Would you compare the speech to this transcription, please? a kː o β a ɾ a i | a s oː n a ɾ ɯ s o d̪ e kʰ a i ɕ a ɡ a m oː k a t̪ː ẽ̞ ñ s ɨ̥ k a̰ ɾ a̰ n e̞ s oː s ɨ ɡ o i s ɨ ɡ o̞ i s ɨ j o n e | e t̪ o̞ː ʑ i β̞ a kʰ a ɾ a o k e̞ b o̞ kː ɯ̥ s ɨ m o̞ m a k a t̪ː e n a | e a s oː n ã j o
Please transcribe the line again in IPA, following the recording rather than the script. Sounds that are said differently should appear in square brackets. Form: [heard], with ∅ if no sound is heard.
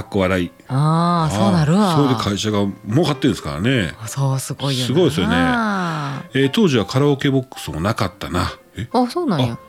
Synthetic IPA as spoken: a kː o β a ɾ a i | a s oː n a ɾ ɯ s o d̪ e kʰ a i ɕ a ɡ a m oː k a t̪ː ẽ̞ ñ s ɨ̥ k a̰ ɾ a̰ n e̞ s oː s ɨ ɡ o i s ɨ ɡ o̞ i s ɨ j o n e | e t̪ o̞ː ʑ i β̞ a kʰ a ɾ a o k e̞ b o̞ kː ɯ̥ s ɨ m o̞ [n] a k a t̪ː [a] n a | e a s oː n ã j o